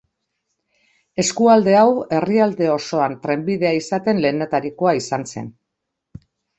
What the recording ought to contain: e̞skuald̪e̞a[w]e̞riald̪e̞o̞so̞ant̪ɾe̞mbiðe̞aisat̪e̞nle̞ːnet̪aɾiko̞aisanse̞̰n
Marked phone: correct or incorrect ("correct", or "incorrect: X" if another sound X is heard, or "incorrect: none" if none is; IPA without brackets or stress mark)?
correct